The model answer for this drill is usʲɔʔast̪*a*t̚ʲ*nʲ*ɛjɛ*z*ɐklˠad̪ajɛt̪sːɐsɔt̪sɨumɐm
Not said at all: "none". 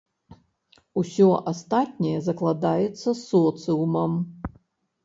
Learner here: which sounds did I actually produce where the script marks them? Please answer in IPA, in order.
a, nʲ, z

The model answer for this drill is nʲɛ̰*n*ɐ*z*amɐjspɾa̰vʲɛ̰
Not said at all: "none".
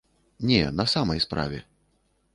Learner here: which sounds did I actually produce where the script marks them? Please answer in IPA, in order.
n, s

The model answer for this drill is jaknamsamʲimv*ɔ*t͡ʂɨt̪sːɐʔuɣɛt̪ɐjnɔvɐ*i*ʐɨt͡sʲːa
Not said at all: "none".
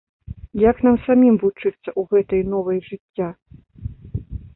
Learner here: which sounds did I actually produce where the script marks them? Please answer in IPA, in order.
u, j

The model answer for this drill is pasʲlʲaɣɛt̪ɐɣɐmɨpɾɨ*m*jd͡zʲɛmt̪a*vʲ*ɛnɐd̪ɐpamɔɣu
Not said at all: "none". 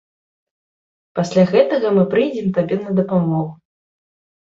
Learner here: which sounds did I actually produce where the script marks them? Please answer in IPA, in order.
none, bʲ

